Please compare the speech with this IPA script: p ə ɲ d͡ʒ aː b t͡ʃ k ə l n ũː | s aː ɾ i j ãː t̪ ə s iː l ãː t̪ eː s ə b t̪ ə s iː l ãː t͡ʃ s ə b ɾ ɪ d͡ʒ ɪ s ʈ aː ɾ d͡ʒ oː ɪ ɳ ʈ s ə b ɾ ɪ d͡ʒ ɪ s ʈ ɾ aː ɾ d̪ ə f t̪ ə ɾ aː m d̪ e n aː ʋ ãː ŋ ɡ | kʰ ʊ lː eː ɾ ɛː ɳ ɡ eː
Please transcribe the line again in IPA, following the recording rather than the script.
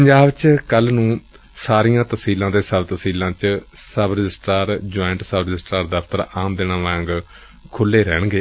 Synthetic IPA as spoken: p ə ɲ d͡ʒ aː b t͡ʃ k ə l n ũː | s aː ɾ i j ãː t̪ ə s iː l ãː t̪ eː s ə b t̪ ə s iː l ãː t͡ʃ s ə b ɾ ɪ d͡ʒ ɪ s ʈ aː ɾ d͡ʒ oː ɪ ɳ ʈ s ə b ɾ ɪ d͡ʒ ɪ s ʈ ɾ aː ɾ d̪ ə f t̪ ə ɾ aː m d̪ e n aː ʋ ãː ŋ ɡ | kʰ ʊ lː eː ɾ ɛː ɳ ɡ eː